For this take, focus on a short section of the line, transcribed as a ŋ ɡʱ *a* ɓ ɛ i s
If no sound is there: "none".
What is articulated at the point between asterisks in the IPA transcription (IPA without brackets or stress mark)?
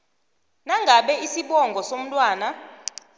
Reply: a